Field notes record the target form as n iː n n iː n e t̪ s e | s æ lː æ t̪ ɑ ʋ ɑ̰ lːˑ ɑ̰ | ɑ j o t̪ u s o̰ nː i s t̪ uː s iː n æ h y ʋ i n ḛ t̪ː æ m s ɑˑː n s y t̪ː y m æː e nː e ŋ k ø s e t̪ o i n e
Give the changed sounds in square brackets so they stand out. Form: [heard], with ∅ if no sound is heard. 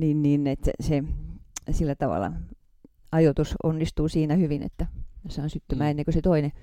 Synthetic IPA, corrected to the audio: n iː n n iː n e t̪ s e | s [i] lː æ t̪ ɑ ʋ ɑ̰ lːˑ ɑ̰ | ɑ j o t̪ u s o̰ nː i s t̪ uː s iː n æ h y ʋ i n ḛ t̪ː æ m s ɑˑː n s y t̪ː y m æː e nː e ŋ k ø s e t̪ o i n e